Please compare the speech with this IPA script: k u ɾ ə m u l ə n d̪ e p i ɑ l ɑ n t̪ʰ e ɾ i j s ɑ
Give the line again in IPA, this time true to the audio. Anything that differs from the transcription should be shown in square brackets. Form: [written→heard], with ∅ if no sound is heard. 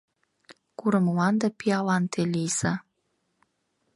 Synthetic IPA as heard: k u ɾ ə m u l [ə→ɑ] n d̪ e p i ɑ l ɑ n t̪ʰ e [ɾ→l] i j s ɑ